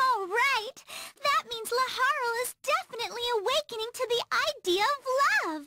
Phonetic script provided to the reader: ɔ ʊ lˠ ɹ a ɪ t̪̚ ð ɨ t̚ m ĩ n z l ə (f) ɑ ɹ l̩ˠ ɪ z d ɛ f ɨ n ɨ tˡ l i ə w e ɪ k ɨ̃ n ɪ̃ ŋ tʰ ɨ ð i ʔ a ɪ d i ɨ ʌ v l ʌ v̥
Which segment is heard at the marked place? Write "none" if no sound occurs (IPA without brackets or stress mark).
h